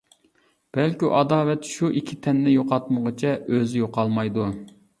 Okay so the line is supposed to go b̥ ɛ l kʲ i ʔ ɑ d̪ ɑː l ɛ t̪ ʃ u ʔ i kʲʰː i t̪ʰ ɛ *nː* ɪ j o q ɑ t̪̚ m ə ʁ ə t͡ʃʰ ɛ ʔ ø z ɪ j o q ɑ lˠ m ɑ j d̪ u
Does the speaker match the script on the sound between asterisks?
yes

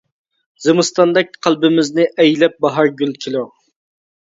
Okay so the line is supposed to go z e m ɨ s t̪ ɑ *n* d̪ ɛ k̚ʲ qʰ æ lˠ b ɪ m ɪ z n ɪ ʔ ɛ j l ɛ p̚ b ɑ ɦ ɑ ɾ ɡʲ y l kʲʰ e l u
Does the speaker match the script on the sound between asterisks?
yes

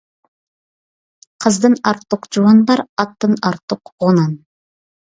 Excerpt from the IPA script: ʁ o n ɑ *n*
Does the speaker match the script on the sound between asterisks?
yes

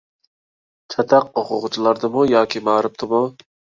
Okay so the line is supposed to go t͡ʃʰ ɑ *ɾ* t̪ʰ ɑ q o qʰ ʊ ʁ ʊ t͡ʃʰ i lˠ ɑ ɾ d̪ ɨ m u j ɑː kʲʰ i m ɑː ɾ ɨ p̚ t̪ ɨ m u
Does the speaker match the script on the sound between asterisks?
no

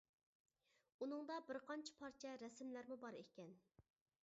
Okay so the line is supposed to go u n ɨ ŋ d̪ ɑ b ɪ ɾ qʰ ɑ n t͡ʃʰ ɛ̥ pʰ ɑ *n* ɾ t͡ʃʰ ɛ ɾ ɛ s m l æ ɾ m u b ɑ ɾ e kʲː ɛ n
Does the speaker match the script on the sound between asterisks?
no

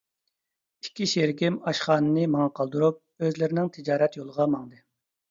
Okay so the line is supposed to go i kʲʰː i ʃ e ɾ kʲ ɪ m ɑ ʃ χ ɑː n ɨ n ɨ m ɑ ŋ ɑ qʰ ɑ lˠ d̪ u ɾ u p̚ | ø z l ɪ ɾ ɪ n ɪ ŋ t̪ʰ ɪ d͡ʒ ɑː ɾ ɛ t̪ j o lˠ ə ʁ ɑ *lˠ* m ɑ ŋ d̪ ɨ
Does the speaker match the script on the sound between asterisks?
no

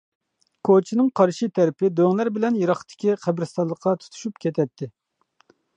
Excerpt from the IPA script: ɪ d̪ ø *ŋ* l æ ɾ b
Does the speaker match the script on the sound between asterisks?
yes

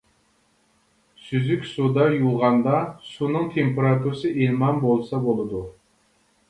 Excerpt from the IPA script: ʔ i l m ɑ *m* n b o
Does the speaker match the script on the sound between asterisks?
no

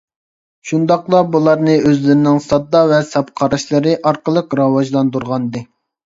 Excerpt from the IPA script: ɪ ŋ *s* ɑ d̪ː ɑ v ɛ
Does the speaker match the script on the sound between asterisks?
yes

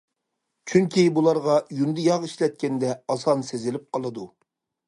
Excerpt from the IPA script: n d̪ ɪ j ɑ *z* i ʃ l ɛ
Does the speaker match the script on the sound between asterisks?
no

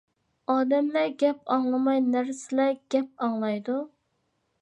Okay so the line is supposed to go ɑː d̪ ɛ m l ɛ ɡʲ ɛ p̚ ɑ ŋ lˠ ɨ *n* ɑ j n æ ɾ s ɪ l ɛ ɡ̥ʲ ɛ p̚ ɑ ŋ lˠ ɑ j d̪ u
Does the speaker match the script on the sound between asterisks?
no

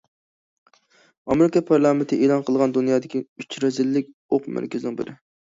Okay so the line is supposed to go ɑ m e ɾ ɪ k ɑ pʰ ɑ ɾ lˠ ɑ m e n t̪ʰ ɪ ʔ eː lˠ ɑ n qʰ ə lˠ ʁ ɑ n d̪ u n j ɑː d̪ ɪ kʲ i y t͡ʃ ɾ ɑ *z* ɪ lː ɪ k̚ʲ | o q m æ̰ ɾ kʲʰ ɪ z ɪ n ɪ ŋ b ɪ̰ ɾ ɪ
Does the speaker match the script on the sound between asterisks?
yes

